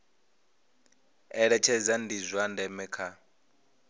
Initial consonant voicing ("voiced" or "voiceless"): voiced